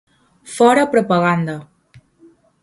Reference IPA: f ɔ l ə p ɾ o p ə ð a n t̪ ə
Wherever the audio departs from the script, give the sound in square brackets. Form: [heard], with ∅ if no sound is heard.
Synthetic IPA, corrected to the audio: f ɔ [ɾ] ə p ɾ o p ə [ɣ] a n [d̪] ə